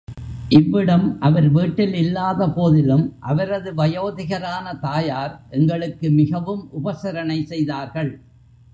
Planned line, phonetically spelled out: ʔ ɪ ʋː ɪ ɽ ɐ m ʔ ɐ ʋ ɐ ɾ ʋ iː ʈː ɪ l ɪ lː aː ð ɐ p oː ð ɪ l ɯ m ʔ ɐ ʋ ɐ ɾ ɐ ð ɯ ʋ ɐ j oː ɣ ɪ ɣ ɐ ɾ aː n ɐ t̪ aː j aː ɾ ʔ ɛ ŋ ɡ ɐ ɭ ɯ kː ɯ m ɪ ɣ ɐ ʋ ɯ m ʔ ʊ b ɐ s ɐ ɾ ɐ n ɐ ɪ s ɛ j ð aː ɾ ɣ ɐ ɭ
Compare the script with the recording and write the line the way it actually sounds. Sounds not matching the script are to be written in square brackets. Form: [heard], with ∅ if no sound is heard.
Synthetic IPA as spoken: ʔ ɪ ʋː ɪ ɽ ɐ m ʔ ɐ ʋ ɐ ɾ ʋ iː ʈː ɪ l ɪ lː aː ð ɐ p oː ð ɪ l ɯ m ʔ ɐ ʋ ɐ ɾ ɐ ð ɯ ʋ ɐ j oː [ð] ɪ ɣ ɐ ɾ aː n ɐ t̪ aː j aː ɾ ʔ ɛ ŋ ɡ ɐ ɭ ɯ kː ɯ m ɪ ɣ ɐ ʋ ɯ m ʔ ʊ b ɐ s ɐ ɾ ɐ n ɐ ɪ s ɛ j ð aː ɾ ɣ ɐ ɭ